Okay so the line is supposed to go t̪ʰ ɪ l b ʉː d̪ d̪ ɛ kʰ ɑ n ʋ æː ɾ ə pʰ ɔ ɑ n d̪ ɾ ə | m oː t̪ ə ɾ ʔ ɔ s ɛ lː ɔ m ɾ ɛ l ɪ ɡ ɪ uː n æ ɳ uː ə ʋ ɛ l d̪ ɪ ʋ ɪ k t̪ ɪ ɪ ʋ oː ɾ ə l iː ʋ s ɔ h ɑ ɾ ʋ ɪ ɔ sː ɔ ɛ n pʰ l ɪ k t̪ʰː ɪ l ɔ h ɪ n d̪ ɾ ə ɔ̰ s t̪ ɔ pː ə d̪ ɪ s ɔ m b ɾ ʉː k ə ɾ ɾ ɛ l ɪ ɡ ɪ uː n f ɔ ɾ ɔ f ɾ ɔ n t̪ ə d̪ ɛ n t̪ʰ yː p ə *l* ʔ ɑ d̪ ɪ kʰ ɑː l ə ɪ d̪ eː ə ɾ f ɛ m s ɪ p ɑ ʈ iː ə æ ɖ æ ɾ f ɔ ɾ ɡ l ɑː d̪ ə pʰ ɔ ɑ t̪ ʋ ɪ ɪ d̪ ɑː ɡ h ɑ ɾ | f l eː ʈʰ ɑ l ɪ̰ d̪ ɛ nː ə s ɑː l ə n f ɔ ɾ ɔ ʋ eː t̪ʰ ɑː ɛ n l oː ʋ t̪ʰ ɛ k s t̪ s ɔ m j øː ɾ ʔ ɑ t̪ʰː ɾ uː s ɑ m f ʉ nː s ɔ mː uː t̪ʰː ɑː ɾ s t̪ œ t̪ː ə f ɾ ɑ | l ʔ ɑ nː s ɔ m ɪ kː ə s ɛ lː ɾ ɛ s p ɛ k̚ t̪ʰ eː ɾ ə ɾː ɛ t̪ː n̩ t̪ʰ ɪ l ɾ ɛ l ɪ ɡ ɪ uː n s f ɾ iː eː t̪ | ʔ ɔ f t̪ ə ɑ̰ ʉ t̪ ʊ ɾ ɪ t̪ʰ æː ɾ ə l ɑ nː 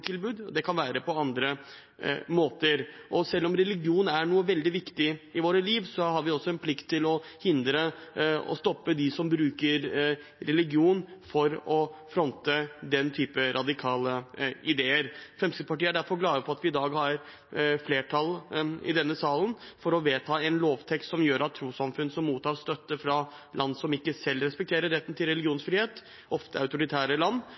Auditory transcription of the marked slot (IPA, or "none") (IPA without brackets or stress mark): ɾ